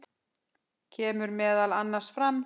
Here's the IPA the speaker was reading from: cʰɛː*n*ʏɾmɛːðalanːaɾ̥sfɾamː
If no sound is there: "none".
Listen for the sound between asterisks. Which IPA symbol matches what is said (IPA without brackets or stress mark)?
m